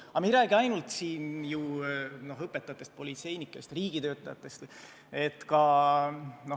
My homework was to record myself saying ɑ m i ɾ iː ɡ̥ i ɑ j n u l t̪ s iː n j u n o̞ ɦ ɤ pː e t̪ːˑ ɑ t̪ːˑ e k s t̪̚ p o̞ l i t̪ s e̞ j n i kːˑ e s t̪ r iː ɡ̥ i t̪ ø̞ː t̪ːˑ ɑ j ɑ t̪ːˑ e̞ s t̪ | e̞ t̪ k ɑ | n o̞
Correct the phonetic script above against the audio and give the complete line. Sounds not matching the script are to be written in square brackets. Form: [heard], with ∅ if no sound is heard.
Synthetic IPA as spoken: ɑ m i ɾ [æː] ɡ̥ i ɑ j n u l t̪ s iː n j u n o̞ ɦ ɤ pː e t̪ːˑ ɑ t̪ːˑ e [∅] s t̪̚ p o̞ l i t̪ s e̞ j n i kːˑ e s t̪ r iː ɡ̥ i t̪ ø̞ː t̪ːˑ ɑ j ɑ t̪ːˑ e̞ s t̪ | e̞ t̪ k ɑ | n o̞

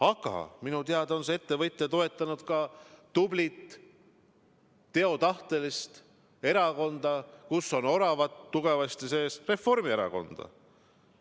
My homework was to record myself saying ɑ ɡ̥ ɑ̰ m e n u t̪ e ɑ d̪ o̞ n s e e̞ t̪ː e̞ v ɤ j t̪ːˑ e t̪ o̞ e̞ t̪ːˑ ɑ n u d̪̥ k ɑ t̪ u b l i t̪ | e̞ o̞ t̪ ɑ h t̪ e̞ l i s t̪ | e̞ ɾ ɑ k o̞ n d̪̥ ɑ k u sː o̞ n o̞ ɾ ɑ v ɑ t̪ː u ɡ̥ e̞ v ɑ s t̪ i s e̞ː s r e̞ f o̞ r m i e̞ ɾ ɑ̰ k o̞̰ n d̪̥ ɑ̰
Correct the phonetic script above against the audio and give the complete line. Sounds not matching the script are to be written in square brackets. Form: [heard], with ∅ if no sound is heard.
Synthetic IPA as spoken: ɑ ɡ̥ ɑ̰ m [i] n u t̪ e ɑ d̪ o̞ n s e e̞ t̪ː e̞ v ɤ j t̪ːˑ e t̪ o̞ e̞ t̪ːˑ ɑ n u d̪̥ k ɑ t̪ u b l i t̪ | e̞ o̞ t̪ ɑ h t̪ e̞ l i s t̪ | e̞ ɾ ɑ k o̞ n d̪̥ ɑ k u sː o̞ n o̞ ɾ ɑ v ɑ t̪ː u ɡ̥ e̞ v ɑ s t̪ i s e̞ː s r e̞ f o̞ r m i e̞ ɾ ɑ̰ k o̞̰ n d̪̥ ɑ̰

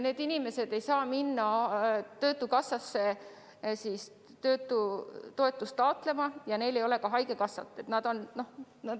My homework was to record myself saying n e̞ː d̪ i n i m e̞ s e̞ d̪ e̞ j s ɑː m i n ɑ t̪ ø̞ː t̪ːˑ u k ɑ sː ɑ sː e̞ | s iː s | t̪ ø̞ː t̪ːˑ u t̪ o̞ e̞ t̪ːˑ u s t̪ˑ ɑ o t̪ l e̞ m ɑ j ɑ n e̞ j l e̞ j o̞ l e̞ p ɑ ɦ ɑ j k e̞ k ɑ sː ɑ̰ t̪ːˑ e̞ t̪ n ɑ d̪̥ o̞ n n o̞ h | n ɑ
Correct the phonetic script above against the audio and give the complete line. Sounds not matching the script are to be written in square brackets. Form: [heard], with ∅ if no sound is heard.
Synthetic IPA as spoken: n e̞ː d̪ i n i m e̞ s e̞ d̪ e̞ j s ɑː m i [nː] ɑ t̪ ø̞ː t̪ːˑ u k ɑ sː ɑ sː e̞ | s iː s | t̪ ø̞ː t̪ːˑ u t̪ o̞ e̞ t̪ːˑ u s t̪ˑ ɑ o t̪ l e̞ m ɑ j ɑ n e̞ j l e̞ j o̞ l e̞ [k] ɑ ɦ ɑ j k e̞ k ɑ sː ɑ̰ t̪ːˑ e̞ t̪ n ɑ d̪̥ o̞ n n o̞ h | n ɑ

